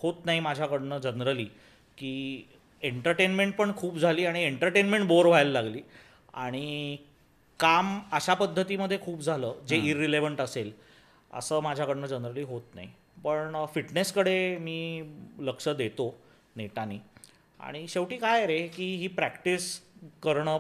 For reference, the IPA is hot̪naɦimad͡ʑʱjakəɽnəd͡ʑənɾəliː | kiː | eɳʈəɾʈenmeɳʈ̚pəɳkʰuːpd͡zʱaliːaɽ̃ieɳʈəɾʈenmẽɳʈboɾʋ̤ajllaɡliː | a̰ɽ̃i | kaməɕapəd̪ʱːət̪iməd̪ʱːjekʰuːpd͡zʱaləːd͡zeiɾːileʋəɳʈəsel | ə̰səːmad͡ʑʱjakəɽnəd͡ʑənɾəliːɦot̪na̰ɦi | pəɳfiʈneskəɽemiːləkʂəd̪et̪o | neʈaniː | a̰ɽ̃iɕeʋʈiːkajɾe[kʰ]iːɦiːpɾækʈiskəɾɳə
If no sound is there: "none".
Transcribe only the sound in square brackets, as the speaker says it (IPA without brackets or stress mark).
k